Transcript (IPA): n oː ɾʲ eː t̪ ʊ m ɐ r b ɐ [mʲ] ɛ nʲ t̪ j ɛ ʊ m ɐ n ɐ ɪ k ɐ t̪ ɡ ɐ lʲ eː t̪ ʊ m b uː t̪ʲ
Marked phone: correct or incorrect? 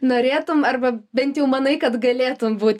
incorrect: bʲ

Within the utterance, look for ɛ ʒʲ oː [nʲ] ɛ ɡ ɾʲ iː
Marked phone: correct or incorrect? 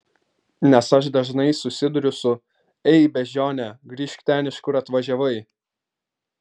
correct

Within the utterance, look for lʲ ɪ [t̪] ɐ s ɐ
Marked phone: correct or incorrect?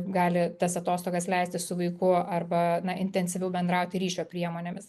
correct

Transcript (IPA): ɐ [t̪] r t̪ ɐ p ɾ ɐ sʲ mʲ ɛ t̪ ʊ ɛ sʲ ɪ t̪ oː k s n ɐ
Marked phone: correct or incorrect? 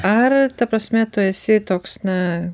incorrect: none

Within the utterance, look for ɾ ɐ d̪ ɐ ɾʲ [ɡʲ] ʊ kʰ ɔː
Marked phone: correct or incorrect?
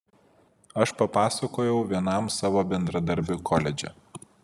incorrect: bʲ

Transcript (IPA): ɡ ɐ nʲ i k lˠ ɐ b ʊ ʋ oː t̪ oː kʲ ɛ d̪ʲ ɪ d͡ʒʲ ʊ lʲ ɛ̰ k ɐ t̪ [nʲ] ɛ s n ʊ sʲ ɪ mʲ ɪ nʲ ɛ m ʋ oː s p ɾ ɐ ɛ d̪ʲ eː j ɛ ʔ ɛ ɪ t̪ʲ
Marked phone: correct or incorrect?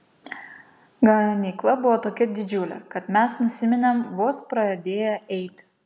incorrect: mʲ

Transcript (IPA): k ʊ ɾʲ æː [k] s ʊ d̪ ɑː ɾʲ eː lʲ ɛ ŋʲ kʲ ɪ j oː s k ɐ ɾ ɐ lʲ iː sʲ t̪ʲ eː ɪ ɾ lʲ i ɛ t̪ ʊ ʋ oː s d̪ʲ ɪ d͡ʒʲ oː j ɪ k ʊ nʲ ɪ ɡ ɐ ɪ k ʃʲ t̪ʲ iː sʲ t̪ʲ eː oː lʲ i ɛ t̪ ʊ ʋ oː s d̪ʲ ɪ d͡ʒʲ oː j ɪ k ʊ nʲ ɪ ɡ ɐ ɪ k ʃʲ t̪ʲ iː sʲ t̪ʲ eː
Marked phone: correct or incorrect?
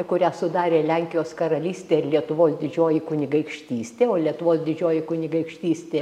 incorrect: none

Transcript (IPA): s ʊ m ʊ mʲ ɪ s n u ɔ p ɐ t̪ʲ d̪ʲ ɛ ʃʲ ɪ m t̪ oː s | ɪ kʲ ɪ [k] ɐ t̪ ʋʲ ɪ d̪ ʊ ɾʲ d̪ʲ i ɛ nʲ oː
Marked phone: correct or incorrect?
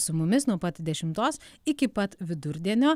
incorrect: p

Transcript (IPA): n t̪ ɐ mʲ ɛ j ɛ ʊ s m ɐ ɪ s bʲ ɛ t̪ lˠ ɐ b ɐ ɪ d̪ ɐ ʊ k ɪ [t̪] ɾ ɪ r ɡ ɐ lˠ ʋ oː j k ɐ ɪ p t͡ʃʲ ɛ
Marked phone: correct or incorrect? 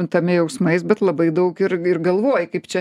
incorrect: none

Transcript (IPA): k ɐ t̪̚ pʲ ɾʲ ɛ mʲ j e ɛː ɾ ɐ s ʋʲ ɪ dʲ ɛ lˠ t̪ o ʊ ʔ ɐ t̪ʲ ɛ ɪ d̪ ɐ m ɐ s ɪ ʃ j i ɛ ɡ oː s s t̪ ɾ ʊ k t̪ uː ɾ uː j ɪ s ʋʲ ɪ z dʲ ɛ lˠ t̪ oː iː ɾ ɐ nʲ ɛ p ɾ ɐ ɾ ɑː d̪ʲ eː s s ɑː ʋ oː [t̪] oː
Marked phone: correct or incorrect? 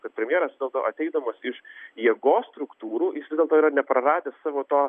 correct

